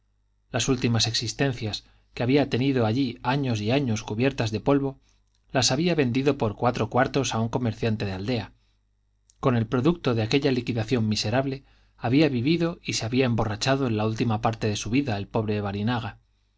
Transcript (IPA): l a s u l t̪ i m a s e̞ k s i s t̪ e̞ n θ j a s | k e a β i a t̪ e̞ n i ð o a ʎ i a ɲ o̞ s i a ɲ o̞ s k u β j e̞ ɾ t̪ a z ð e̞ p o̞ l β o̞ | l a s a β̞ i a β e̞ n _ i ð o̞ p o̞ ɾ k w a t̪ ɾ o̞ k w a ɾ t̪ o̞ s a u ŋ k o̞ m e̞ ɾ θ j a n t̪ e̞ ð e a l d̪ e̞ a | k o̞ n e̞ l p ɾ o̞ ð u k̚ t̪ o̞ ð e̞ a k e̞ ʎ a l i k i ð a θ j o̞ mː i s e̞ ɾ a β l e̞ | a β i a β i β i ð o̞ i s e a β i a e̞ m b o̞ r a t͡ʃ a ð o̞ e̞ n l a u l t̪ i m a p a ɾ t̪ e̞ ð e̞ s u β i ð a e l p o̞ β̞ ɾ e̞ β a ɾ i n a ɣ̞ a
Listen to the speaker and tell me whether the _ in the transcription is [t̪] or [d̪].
d̪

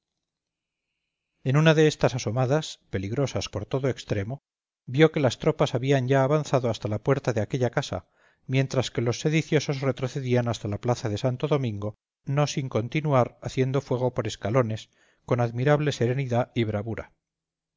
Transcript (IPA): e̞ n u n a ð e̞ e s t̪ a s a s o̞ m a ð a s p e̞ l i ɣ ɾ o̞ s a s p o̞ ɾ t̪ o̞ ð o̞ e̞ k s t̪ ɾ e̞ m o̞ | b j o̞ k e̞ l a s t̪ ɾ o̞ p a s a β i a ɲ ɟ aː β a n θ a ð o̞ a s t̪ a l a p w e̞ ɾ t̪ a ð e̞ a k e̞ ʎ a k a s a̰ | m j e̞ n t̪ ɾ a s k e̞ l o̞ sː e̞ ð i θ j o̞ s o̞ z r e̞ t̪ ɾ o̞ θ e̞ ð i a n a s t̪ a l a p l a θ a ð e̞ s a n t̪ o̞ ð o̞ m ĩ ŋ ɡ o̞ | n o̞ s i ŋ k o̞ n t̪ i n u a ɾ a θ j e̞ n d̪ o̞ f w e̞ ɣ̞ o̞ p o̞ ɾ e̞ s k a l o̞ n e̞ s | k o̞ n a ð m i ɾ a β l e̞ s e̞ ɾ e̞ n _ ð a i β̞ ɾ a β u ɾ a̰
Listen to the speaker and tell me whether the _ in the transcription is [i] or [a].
i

